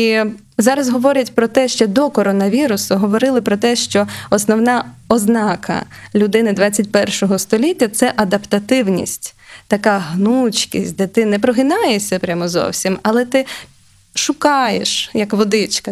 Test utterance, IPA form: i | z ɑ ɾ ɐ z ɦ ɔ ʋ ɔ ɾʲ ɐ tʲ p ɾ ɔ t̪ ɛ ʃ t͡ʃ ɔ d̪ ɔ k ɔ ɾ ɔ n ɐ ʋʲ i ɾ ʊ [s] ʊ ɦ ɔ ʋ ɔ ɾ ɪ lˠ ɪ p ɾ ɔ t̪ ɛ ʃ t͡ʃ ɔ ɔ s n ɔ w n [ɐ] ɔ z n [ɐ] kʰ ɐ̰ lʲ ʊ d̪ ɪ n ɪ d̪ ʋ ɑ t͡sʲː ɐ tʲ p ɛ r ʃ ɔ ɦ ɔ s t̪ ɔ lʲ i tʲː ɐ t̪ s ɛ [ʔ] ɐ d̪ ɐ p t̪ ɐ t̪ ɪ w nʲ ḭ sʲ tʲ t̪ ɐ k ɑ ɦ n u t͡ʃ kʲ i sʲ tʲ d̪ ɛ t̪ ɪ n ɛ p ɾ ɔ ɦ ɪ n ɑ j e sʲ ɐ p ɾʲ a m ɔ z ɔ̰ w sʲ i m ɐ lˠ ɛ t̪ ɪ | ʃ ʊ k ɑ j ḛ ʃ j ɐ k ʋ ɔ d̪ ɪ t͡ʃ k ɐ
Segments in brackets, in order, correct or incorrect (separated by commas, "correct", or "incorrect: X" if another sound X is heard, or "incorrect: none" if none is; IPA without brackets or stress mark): correct, incorrect: ɑ, incorrect: ɑ, correct